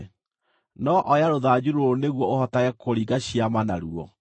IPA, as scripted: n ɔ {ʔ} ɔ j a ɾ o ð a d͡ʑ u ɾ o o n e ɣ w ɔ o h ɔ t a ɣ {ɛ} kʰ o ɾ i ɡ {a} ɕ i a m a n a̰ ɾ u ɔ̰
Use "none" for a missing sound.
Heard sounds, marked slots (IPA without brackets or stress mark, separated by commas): ʔ, ɛ, a